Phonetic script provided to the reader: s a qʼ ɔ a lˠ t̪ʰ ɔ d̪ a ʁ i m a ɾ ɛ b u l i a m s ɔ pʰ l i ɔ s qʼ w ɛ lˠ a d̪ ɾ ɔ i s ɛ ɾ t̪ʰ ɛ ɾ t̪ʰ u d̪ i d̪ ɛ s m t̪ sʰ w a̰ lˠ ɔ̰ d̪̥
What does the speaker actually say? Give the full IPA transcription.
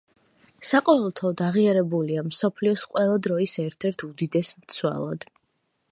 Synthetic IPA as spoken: s a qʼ ɔ ɛ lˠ t̪ʰ ɔ d̪ a ʁ i a ɾ ɛ b u l i a m s ɔ pʰ l i ɔ s qʼ w ɛ lˠ a d̪ ɾ ɔ i s ɛ ɾ t̪ʰ ɛ ɾ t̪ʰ u d̪ i d̪ ɛ s m t̪ sʰ w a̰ lˠ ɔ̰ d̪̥